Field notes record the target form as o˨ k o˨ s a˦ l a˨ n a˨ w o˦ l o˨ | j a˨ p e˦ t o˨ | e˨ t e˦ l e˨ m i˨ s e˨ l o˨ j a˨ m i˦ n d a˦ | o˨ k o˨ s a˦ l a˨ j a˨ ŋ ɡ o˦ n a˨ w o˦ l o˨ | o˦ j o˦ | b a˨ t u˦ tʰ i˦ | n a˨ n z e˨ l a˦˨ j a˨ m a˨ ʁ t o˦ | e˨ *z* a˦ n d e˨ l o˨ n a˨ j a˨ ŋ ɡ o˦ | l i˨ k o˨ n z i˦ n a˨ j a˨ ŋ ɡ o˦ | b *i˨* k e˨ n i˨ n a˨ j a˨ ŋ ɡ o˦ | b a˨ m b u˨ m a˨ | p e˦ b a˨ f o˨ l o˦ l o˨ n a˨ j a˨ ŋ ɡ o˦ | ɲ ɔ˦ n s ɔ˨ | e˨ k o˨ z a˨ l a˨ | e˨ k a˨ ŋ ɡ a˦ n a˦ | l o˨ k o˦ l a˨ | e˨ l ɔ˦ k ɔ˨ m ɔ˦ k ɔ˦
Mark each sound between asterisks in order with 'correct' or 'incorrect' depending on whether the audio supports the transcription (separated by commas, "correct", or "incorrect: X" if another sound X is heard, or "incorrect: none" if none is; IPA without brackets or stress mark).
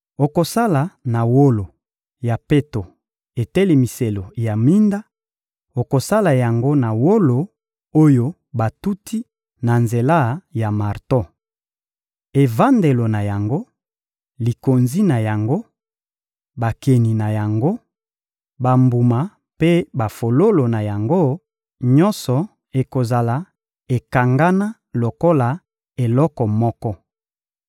incorrect: v, incorrect: a˨